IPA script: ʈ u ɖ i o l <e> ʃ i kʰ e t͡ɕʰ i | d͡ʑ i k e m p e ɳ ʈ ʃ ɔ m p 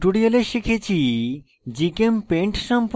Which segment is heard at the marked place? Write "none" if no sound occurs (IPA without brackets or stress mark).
e